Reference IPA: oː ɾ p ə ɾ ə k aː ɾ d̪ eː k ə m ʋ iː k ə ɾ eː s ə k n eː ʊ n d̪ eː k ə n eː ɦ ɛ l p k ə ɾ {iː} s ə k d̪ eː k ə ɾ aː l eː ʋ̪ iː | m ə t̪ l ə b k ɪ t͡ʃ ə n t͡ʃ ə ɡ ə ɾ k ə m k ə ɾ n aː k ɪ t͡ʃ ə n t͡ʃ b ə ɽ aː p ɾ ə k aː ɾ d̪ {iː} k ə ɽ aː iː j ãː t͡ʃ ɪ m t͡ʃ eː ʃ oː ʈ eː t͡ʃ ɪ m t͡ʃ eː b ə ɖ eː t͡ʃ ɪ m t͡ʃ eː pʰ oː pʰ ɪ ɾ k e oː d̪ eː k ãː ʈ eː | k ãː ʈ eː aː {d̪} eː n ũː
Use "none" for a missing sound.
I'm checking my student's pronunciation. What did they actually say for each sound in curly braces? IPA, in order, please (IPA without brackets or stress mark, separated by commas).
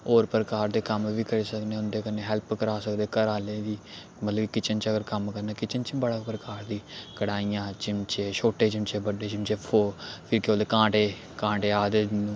aː, iː, d̪